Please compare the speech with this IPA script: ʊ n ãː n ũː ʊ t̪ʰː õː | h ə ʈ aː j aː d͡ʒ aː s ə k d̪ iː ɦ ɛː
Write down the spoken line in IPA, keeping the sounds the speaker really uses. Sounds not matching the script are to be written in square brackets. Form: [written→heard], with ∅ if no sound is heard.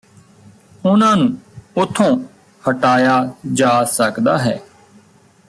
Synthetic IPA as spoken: ʊ n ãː n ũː ʊ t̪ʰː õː | h ə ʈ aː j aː d͡ʒ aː s ə k d̪ [iː→aː] ɦ ɛː